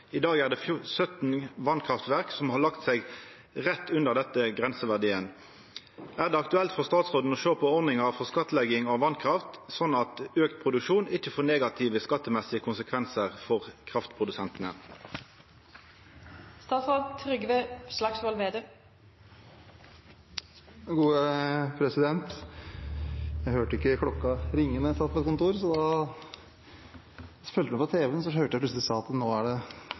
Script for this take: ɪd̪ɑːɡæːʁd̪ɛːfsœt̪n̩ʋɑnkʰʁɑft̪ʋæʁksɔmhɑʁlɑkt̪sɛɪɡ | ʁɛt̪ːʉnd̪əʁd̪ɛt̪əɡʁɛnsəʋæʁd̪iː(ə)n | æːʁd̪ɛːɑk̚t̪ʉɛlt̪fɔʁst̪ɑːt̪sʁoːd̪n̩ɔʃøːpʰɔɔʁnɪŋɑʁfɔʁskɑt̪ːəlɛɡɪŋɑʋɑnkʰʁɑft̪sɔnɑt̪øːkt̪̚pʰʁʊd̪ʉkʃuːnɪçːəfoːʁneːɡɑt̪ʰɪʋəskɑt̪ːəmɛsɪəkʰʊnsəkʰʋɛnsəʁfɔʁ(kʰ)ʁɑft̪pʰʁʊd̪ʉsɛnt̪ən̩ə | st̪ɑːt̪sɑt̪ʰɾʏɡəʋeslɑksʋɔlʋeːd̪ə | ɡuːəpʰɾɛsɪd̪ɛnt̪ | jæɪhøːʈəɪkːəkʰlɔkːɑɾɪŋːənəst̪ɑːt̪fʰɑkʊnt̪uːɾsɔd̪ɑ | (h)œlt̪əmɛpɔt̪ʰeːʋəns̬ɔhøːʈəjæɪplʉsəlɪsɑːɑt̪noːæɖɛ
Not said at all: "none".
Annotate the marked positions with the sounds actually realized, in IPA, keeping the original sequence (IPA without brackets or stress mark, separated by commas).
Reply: ə, kʰ, f